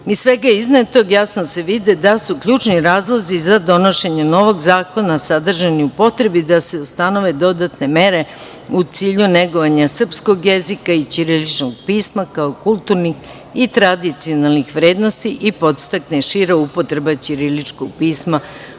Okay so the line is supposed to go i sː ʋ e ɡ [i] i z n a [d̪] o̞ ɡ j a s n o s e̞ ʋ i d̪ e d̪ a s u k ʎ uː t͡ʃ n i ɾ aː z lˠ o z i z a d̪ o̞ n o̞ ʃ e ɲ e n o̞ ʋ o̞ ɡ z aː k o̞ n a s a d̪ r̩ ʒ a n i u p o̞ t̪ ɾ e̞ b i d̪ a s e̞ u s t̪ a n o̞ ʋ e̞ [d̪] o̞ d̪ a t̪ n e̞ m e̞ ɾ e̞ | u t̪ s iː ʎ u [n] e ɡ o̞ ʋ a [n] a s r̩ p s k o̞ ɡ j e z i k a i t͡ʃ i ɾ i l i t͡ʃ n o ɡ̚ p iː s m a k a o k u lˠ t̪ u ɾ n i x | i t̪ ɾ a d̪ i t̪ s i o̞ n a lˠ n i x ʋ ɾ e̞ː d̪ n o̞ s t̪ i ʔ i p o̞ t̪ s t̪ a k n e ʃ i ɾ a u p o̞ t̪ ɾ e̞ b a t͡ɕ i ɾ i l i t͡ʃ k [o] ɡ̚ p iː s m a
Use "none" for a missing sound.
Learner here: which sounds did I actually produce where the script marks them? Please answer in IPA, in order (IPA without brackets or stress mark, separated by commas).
a, t̪, d̪, n, ɲ, o